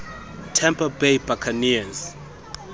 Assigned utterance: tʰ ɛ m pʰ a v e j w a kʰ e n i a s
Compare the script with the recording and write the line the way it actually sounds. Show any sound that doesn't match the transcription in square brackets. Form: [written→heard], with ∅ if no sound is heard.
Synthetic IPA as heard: tʰ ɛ m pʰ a [v→b] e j [w→b] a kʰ [e→a] n i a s